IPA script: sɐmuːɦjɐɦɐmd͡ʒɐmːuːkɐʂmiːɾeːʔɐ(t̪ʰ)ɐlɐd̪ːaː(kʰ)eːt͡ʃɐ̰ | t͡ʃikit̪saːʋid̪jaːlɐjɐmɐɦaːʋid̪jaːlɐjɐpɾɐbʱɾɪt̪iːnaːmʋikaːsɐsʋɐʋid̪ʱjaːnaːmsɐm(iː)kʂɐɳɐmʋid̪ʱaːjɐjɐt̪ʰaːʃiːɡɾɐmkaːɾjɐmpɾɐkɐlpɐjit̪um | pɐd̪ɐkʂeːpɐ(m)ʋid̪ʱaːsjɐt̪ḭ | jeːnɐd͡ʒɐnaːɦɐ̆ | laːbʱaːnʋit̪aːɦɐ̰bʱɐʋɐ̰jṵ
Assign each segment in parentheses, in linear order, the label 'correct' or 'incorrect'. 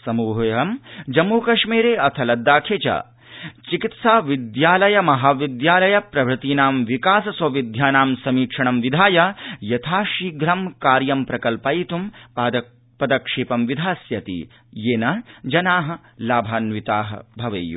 correct, correct, correct, correct

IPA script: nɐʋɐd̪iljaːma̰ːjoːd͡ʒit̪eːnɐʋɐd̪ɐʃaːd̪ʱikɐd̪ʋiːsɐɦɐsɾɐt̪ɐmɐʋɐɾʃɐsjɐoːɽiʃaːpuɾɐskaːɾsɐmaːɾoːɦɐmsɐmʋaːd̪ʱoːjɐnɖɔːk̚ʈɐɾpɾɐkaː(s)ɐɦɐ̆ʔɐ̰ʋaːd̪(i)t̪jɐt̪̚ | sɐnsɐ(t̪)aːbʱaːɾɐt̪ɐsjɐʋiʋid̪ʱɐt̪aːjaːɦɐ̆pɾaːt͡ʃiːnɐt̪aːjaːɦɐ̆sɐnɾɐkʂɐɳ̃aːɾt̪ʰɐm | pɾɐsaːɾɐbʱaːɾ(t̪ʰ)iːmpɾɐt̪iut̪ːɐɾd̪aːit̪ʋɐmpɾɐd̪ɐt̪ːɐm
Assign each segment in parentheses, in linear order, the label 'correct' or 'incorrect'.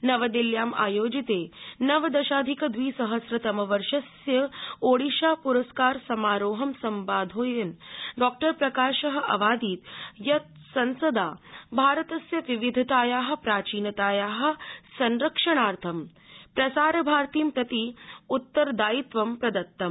incorrect: ʃ, incorrect: iː, incorrect: d̪, incorrect: t̪

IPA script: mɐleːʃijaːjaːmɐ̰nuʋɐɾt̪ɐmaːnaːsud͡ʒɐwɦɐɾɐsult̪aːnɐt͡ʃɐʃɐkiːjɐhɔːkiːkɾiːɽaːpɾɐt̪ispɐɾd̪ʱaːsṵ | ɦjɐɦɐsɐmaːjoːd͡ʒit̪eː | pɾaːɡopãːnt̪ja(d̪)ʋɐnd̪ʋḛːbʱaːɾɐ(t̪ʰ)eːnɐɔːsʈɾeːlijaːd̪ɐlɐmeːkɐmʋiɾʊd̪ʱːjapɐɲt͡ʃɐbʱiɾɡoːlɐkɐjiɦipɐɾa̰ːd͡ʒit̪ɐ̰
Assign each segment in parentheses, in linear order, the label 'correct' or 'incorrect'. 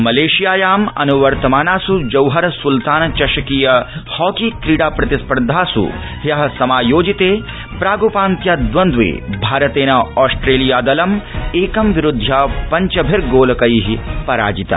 correct, incorrect: t̪

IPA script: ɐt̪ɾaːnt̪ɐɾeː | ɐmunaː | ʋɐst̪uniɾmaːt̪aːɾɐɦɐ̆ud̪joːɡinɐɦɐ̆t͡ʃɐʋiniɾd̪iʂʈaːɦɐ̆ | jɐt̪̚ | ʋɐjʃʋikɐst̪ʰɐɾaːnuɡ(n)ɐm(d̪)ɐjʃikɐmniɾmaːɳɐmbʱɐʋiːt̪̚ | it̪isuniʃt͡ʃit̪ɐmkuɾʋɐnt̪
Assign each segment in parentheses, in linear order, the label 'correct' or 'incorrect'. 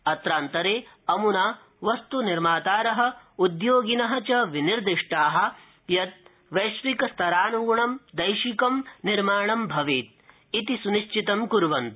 incorrect: ɳ, correct

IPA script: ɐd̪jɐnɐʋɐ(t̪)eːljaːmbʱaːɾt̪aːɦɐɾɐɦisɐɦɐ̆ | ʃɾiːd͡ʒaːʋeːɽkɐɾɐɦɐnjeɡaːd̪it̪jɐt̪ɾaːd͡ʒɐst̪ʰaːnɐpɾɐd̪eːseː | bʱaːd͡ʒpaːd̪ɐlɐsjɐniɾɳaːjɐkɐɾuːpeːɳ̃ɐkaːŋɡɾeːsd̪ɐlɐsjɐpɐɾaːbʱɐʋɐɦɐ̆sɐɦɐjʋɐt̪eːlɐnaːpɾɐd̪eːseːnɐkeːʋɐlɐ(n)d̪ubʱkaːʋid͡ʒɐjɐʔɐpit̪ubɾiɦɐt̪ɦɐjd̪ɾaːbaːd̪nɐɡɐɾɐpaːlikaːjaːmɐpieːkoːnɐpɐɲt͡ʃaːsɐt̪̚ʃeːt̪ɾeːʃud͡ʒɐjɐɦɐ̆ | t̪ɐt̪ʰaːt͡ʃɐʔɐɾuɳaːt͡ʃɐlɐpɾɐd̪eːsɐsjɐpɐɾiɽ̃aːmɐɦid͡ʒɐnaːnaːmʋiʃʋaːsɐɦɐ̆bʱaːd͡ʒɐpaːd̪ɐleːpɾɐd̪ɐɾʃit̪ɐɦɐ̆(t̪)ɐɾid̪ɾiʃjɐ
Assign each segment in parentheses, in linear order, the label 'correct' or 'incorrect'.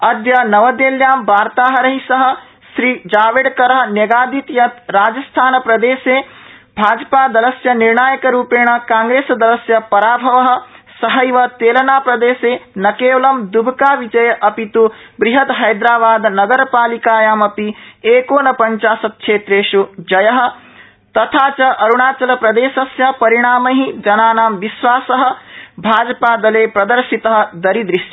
incorrect: d̪, incorrect: m, incorrect: d̪

